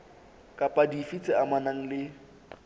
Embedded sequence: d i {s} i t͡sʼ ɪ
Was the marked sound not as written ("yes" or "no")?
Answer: yes